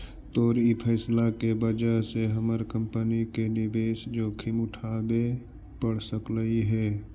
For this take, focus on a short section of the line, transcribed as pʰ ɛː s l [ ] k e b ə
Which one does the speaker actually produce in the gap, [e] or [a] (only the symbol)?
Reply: a